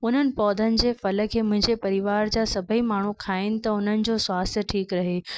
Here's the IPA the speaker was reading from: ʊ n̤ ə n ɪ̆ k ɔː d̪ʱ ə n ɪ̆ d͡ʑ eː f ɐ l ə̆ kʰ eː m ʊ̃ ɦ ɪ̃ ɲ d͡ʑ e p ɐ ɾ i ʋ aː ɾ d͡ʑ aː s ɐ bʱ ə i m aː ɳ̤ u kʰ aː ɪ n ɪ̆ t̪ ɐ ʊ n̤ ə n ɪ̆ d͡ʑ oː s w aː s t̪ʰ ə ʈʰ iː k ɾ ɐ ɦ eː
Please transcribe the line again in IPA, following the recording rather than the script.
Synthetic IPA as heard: ʊ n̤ ə n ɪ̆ p ɔː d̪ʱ ə n ɪ̆ d͡ʑ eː f ɐ l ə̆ kʰ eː m ʊ̃ ɦ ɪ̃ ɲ d͡ʑ e p ɐ ɾ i ʋ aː ɾ d͡ʑ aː s ɐ bʱ ə i m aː ɳ̤ u kʰ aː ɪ n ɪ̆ t̪ ɐ ʊ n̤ ə n ɪ̆ d͡ʑ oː s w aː s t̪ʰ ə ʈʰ iː k ɾ ɐ ɦ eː